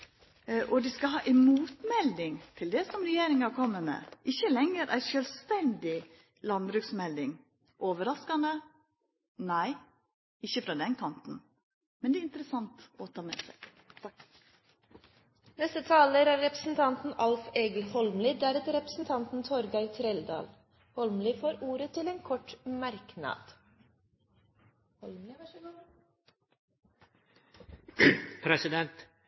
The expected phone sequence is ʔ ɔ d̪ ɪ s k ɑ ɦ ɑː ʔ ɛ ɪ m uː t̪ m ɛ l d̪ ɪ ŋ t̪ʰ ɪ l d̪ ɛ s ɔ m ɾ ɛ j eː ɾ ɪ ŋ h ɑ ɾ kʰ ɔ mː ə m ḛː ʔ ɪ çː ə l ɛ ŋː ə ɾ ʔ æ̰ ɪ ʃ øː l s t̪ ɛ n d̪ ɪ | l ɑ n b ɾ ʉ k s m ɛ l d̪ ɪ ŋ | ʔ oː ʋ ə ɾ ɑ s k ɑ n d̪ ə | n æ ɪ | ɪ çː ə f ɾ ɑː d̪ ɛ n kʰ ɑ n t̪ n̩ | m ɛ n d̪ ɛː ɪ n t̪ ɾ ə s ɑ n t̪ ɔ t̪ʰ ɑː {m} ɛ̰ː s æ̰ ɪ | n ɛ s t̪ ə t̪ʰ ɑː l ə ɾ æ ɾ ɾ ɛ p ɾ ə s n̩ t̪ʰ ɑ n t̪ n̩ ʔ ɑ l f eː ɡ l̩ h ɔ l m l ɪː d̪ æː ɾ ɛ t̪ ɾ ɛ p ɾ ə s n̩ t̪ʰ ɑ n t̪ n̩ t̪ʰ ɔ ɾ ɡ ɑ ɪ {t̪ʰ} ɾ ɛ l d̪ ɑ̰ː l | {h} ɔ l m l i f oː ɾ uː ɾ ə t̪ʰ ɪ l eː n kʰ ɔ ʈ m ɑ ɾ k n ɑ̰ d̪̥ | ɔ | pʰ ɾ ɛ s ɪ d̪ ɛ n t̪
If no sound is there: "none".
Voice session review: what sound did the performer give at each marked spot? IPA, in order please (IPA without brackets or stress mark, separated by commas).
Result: m, t̪ʰ, h